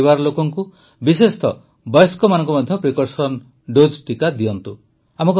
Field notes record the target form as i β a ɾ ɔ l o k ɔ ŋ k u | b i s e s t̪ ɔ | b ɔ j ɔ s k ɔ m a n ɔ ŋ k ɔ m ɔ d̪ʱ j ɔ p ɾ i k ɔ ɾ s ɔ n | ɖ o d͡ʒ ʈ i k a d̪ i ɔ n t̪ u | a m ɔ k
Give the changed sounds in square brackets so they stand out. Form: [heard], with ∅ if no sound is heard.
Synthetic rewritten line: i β a ɾ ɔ l o k ɔ ŋ k u | b i s e s t̪ ɔ | b ɔ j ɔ s k ɔ m a n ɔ ŋ k ɔ m ɔ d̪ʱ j ɔ p ɾ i k ɔ ɾ s ɔ n | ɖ o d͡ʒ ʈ i k a d̪ i ɔ n t̪ u | a m ɔ k